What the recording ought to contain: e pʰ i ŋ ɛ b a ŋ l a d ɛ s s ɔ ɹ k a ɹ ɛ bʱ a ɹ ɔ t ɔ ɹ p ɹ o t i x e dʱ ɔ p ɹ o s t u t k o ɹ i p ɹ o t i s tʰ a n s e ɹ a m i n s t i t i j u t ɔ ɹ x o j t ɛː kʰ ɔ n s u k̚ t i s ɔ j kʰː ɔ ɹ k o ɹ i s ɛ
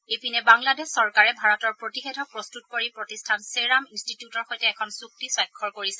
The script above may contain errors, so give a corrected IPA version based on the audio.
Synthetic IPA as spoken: e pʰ i n ɛ b a ŋ l a d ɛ s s ɔ ɹ k a ɹ ɛ bʱ a ɹ ɔ t ɔ ɹ p ɹ o t i x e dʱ ɔ p ɹ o s t u t k o ɹ i p ɹ o t i s tʰ a n s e ɹ a m i n s t i t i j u t ɔ ɹ x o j t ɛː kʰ ɔ n s u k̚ t i s ɔ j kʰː ɔ ɹ k o ɹ i s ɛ

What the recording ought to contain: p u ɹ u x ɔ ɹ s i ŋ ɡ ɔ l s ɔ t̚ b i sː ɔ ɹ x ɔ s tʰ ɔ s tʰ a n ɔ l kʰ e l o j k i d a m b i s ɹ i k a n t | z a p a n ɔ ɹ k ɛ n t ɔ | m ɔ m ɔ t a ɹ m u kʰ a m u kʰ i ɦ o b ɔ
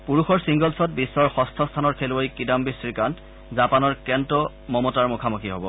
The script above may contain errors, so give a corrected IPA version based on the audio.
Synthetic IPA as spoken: p u ɹ u x ɔ ɹ s i ŋ ɡ ɔ l s ɔ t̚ b i sː ɔ ɹ x ɔ s tʰ ɔ s tʰ a n ɔ ɹ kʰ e l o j k i d a m b i s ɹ i k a n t | z a p a n ɔ ɹ k ɛ n t ɔ | m ɔ m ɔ t a ɹ m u kʰ a m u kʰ i ɦ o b ɔ

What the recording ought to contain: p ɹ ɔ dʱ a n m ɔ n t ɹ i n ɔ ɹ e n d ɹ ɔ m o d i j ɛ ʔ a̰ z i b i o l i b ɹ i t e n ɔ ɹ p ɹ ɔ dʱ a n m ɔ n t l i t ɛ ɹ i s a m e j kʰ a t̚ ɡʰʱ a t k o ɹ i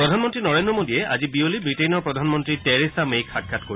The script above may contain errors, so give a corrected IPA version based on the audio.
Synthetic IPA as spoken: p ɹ ɔ dʱ a n m ɔ n t ɹ i n ɔ ɹ e n d ɹ ɔ m o d i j ɛ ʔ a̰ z i b i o l i b ɹ i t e n ɔ ɹ p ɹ ɔ dʱ a n m ɔ n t ɹ i t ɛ ɹ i s a m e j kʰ a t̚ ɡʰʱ a t k o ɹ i

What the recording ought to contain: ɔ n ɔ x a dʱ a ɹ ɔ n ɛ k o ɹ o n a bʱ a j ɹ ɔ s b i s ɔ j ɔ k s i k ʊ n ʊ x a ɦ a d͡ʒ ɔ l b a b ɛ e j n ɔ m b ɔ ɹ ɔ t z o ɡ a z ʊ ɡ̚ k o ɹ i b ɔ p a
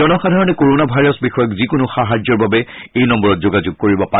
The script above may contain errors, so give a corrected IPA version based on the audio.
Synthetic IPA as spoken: ɔ n ɔ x a dʱ a ɹ ɔ n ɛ k o ɹ o n a bʱ a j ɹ ɔ s b i x ɔ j ɔ k z i k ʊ n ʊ x a ɦ a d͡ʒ ɔ ɹ b a b ɛ e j n ɔ m b ɔ ɹ ɔ t z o ɡ a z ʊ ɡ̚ k o ɹ i b ɔ p a

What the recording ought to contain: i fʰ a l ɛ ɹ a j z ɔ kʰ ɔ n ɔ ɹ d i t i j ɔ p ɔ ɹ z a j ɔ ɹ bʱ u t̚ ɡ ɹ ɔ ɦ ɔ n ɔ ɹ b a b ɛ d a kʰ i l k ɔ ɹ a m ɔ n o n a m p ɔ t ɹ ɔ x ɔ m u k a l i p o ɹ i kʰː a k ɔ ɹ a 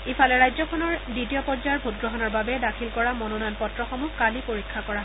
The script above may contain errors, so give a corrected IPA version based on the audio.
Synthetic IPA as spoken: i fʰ a l ɛ ɹ a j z ɔ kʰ ɔ n ɔ ɹ d i t i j ɔ p ɔ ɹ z a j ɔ ɹ bʱ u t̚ ɡ ɹ ɔ ɦ ɔ n ɔ ɹ b a b ɛ d a kʰ i l k ɔ ɹ a m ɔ n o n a n p ɔ t ɹ ɔ x ɔ m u k a l i p o ɹ i kʰː a k ɔ ɹ a

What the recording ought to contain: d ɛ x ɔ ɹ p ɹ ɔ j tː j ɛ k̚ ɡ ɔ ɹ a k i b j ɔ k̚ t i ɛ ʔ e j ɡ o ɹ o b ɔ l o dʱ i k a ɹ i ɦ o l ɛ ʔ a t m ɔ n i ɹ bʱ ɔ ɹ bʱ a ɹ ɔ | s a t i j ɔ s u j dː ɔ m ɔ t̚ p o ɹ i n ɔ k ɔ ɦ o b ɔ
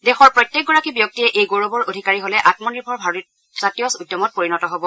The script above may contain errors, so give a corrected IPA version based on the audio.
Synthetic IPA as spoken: d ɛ x ɔ ɹ p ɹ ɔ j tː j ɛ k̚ ɡ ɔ ɹ a k i b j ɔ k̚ t i ɛ ʔ e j ɡ o ɹ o b ɔ ɹ o dʱ i k a ɹ i ɦ o l ɛ ʔ a t m ɔ n i ɹ bʱ ɔ ɹ bʱ a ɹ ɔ | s a t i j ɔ s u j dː ɔ m ɔ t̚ p o ɹ i n ɔ t ɔ ɦ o b ɔ

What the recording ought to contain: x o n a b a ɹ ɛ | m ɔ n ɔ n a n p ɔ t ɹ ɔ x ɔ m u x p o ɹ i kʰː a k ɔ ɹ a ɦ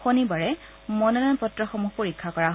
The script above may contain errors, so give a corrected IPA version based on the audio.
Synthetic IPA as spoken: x o n i b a ɹ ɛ | m ɔ n ɔ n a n p ɔ t ɹ ɔ x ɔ m u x p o ɹ i kʰː a k ɔ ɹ a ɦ

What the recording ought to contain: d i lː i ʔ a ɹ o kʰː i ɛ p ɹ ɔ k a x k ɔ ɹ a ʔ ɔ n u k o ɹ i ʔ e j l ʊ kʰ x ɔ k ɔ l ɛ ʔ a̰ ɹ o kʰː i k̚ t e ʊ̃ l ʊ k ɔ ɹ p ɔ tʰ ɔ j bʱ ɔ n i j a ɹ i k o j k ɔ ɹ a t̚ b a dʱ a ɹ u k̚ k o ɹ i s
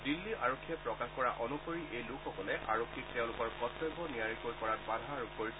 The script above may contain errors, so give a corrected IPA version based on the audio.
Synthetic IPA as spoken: d i lː i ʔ a ɹ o kʰː i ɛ p ɹ ɔ k a x k ɔ ɹ a ʔ ɔ n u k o ɹ i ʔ e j l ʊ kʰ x ɔ k ɔ l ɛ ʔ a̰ ɹ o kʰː i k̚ t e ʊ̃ l ʊ k ɔ ɹ k ɔ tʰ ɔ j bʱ ɔ n i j a ɹ i k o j k ɔ ɹ a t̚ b a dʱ a ɹ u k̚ k o ɹ i s

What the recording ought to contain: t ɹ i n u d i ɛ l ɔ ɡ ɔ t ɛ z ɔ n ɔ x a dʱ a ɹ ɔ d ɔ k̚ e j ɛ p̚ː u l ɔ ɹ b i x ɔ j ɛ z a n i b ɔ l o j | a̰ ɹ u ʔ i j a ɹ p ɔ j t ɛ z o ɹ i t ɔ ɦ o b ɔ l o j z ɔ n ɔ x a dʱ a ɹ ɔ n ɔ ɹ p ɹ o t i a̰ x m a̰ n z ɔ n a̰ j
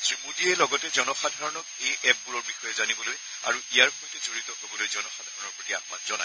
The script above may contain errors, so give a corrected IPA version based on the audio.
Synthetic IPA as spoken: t ɹ i m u d i ɛ l ɔ ɡ ɔ t ɛ z ɔ n ɔ x a dʱ a ɹ ɔ n ɔ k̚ e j ɛ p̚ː u ɹ ɔ ɹ b i x ɔ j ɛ z a n i b ɔ l o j | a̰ ɹ u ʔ i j a ɹ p ɔ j t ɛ z o ɹ i t ɔ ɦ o b ɔ l o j z ɔ n ɔ x a dʱ a ɹ ɔ n ɔ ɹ p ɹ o t i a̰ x m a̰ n z ɔ n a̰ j

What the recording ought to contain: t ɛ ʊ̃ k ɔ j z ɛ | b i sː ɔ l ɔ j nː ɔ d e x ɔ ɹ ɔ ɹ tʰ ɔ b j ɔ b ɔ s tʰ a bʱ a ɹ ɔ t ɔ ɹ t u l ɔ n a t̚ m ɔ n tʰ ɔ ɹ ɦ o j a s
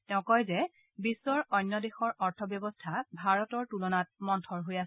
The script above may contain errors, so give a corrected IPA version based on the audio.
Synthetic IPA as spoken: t ɛ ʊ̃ k ɔ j z ɛ | b i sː ɔ ɹ ɔ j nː ɔ d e x ɔ ɹ ɔ ɹ tʰ ɔ b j ɔ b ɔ s tʰ a bʱ a ɹ ɔ t ɔ ɹ t u l ɔ n a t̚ m ɔ n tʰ ɔ ɹ ɦ o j a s

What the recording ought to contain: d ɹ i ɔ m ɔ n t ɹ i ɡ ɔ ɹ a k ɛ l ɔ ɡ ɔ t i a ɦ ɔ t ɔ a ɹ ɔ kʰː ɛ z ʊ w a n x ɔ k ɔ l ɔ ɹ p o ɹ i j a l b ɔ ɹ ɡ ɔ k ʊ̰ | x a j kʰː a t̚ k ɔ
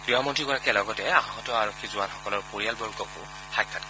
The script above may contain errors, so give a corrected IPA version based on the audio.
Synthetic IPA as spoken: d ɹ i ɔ m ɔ n t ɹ i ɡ ɔ ɹ a k ɛ l ɔ ɡ ɔ t ɛ a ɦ ɔ t ɔ a ɹ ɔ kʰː i z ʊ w a n x ɔ k ɔ l ɔ ɹ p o ɹ i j a l b ɔ ɹ ɡ ɔ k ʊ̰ | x a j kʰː a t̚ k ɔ

